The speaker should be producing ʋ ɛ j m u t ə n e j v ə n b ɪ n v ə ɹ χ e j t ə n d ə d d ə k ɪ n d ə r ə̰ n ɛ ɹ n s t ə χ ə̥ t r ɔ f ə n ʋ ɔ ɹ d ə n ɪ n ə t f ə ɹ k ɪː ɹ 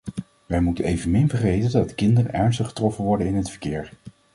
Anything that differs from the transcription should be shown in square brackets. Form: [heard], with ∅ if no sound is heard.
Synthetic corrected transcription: ʋ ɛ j m u t ə n e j v ə n [m] ɪ n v ə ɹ χ e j t ə n d [ɑ] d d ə k ɪ n d ə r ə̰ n ɛ ɹ n s t ə χ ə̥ t r ɔ f ə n ʋ ɔ ɹ d ə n ɪ n ə t f ə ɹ k ɪː ɹ

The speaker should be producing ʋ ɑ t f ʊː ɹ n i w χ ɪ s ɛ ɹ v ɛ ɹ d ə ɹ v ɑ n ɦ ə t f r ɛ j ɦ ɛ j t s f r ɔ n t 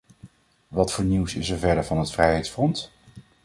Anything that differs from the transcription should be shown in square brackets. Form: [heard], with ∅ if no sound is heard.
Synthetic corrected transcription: ʋ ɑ t f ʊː ɹ n i w [s] ɪ s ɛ ɹ v ɛ ɹ d ə ɹ v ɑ n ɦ ə t f r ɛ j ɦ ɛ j t s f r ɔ n t

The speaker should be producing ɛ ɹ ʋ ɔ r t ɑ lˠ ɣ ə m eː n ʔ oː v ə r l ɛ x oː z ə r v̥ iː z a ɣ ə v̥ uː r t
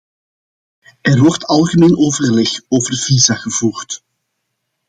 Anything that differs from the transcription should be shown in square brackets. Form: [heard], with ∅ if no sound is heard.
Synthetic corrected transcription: ɛ [r] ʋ ɔ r t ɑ lˠ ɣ ə m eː n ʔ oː v ə r l ɛ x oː [v] ə r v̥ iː z a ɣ ə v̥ uː r t

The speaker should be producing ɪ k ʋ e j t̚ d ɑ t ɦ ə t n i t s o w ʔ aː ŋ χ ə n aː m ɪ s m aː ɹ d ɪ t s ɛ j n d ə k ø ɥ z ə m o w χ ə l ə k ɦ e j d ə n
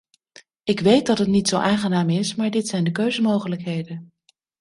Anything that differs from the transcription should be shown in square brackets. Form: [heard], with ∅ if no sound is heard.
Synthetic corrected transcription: ɪ k ʋ e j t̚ d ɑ t ɦ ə t n i t s o w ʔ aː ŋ χ ə n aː m ɪ s m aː ɹ d ɪ t s ɛ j n d ə k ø ɥ z ə m o w χ ə l ə k ɦ e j d ə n

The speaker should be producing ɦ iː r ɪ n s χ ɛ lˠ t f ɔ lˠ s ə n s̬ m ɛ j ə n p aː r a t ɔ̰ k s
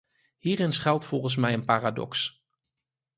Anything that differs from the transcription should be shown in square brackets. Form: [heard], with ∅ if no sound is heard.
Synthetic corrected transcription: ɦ iː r ɪ n s χ ɛ lˠ t f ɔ lˠ [χ] ə n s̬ m ɛ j ə n p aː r a [d] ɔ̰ k s

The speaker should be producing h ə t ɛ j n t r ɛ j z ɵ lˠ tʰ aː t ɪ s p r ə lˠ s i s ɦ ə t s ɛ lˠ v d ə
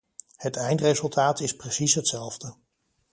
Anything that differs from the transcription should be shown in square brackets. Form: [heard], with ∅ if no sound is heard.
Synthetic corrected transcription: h ə t ɛ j n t r [e] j z ɵ lˠ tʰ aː t ɪ s p r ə [∅] s i s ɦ ə t s ɛ lˠ v d ə

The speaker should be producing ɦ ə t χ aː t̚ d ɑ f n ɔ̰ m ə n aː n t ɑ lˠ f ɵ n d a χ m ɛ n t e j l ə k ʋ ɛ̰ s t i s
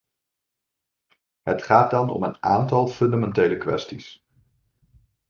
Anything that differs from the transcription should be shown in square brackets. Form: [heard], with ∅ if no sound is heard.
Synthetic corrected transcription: ɦ ə t χ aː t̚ d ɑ [∅] n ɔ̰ m ə n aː n t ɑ lˠ f ɵ n d a [∅] m ɛ n t e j l ə k ʋ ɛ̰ s t i s

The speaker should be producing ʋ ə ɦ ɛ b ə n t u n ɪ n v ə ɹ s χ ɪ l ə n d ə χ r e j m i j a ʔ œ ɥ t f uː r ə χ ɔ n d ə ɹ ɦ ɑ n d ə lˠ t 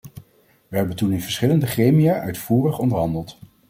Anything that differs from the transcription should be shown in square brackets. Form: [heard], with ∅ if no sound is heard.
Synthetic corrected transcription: ʋ ə ɦ ɛ b ə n t u n ɪ n v ə ɹ s χ ɪ l ə n d ə χ r e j m i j a ʔ œ ɥ t f uː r ə χ ɔ n d ə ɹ ɦ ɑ n d ə lˠ t

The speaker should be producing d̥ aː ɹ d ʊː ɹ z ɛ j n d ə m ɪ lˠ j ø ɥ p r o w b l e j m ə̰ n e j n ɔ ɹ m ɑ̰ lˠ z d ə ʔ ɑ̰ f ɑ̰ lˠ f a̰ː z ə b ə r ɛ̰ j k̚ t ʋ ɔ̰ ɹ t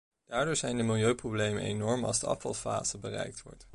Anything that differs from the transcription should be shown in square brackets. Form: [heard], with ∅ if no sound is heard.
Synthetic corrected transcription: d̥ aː ɹ d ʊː ɹ z ɛ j n d ə m ɪ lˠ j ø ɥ p r o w b l e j m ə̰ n e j n ɔ ɹ m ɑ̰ lˠ z d ə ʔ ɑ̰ f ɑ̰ lˠ f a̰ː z ə b ə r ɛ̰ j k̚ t ʋ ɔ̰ ɹ t

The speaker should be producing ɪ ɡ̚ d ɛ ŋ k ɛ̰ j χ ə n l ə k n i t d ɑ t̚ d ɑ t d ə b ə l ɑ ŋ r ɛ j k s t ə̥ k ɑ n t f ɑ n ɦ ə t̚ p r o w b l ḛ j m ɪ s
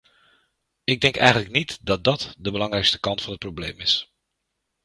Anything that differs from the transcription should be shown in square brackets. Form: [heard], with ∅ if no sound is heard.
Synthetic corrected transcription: ɪ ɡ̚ d ɛ ŋ k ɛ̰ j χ ə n l ə k n i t d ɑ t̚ d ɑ t d ə b ə l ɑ ŋ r ɛ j k s t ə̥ k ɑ n t f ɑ n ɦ ə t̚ p r o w b l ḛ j m ɪ s

